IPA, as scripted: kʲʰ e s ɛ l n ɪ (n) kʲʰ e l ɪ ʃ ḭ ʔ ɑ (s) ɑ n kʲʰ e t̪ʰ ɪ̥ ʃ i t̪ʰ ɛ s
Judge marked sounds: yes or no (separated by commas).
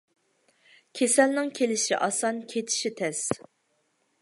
no, yes